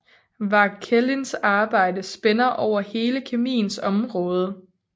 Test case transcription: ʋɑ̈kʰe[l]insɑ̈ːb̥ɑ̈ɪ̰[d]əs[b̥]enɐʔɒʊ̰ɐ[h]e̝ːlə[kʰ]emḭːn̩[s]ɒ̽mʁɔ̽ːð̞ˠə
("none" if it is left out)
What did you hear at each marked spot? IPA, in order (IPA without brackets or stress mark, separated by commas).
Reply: l, d, b̥, h, kʰ, s